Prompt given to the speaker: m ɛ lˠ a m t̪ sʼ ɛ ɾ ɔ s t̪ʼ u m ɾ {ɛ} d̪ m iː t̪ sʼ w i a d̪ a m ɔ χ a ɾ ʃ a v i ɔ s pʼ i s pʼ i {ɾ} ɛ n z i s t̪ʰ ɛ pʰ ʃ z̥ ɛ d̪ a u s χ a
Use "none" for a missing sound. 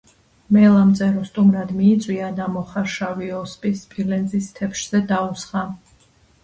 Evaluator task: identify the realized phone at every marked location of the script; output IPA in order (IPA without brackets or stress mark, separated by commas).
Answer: a, l